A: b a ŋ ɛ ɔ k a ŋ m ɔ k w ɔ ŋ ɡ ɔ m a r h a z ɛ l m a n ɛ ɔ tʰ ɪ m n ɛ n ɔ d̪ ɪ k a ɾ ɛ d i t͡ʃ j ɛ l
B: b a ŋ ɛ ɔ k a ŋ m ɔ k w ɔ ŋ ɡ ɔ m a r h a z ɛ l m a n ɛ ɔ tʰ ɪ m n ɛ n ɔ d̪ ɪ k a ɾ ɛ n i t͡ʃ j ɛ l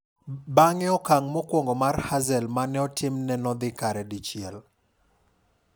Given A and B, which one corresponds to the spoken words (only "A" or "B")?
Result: A